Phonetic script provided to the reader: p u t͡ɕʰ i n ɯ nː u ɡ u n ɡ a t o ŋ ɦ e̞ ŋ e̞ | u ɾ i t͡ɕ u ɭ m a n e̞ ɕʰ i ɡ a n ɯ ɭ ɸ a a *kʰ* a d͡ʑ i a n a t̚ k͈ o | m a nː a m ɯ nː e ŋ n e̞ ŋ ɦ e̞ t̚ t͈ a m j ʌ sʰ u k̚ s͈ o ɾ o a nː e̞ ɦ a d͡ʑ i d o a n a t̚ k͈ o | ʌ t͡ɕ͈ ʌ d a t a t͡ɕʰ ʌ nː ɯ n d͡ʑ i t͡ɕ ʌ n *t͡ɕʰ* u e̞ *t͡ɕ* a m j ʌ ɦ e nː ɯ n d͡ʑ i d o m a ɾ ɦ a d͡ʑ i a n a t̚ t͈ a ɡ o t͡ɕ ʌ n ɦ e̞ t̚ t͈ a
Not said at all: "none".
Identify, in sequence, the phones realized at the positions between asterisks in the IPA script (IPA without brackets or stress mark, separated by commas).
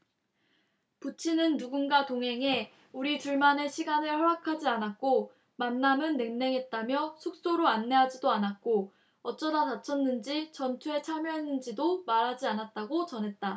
kʰ, t͡ɕʰ, t͡ɕʰ